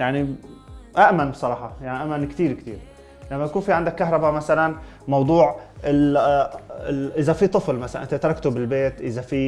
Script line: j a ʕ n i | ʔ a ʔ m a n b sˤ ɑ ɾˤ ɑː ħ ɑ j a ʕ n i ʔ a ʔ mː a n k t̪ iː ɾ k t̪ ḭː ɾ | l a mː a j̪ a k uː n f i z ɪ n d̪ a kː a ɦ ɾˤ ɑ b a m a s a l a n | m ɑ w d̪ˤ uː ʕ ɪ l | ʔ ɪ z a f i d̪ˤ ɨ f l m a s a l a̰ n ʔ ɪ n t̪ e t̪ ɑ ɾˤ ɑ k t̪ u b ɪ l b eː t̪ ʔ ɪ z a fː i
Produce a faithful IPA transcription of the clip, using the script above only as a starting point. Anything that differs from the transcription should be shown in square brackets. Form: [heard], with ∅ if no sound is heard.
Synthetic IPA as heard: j a ʕ n i | ʔ a ʔ m a n b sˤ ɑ ɾˤ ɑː ħ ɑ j a ʕ n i ʔ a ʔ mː a n k t̪ iː ɾ k t̪ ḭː ɾ | l a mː a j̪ a k uː n f i [ʕ] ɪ n d̪ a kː a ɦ ɾˤ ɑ b a m a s a l a n | m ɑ w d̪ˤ uː ʕ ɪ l | ʔ ɪ z a f i [t̪ˤ] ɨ f l m a s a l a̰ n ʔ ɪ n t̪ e t̪ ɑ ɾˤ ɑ k t̪ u b ɪ l b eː t̪ ʔ ɪ z a [f] i